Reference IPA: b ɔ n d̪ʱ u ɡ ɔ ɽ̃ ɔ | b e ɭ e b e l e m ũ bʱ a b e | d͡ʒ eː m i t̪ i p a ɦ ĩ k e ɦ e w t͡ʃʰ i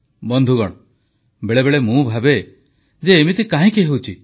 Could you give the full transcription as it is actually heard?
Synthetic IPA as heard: b ɔ n d̪ʱ u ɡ ɔ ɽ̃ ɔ | b e ɭ e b e ɭ e m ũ bʱ a b e | d͡ʒ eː m i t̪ i k a ɦ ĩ k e ɦ e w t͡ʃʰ i